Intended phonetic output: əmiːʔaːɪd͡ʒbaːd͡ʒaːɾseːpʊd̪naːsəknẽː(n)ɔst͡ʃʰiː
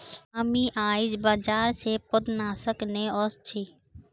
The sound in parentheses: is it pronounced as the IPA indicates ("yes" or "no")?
no